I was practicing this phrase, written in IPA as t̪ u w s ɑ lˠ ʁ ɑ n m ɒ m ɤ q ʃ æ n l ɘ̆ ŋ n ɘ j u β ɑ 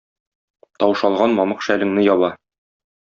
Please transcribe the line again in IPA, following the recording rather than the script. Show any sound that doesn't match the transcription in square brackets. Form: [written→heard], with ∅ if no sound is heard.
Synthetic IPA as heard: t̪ [u→ɒ] w [s→ʃ] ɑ lˠ ʁ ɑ n m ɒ m ɤ q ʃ æ [n→∅] l ɘ̆ ŋ n ɘ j [u→ɒ] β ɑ